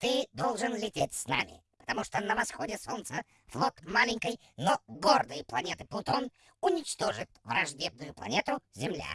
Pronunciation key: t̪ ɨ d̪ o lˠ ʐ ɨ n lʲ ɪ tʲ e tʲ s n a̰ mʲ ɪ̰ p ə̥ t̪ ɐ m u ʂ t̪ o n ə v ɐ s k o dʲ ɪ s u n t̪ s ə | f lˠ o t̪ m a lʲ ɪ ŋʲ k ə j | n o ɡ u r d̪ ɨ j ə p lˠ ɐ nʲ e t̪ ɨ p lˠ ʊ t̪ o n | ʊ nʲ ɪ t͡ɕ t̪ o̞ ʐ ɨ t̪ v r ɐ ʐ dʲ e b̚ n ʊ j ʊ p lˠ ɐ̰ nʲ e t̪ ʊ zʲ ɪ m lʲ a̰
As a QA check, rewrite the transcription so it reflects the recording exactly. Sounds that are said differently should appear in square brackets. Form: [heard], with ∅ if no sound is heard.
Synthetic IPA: t̪ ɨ d̪ o lˠ ʐ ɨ n lʲ ɪ tʲ e tʲ s n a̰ mʲ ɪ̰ p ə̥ t̪ ɐ m u ʂ t̪ o n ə v ɐ s [x] o dʲ ɪ s [o] n t̪ s ə | f lˠ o t̪ m a lʲ ɪ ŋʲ k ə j | n o ɡ [o] r d̪ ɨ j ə p lˠ ɐ nʲ e t̪ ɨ p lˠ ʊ t̪ o n | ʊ nʲ ɪ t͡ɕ t̪ o̞ ʐ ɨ t̪ v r ɐ ʐ dʲ e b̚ n ʊ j ʊ p lˠ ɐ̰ nʲ e t̪ ʊ zʲ ɪ m lʲ a̰